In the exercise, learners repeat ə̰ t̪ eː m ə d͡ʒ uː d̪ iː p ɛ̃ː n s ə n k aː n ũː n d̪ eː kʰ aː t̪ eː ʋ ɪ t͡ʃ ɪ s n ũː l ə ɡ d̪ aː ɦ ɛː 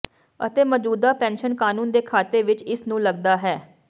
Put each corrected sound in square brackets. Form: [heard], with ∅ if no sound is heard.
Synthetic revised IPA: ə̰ t̪ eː m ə d͡ʒ uː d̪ [aː] p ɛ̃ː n [ʃ] ə n k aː n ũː n d̪ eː kʰ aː t̪ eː ʋ ɪ t͡ʃ ɪ s n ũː l ə ɡ d̪ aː ɦ ɛː